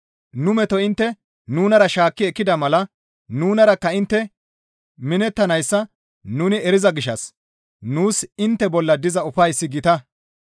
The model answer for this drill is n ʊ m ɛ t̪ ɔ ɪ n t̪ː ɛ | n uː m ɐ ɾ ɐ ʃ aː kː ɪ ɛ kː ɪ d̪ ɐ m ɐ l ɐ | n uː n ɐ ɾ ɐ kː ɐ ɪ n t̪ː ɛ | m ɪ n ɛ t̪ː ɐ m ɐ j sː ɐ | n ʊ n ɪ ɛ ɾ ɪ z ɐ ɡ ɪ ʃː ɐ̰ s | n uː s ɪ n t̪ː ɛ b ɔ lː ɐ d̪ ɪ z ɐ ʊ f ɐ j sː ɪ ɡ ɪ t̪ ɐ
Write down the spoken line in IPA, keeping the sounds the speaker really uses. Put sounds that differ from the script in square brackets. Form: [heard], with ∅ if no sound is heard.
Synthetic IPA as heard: n ʊ m ɛ t̪ ɔ ɪ n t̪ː ɛ | n uː [n] ɐ ɾ ɐ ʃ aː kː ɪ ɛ kː ɪ d̪ ɐ m ɐ l ɐ | n uː n ɐ ɾ ɐ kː ɐ ɪ n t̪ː ɛ | m ɪ n ɛ t̪ː ɐ [n] ɐ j sː ɐ | n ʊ n ɪ ɛ ɾ ɪ z ɐ ɡ ɪ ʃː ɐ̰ s | n uː s ɪ n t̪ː ɛ b ɔ lː ɐ d̪ ɪ z ɐ ʊ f ɐ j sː ɪ ɡ ɪ t̪ ɐ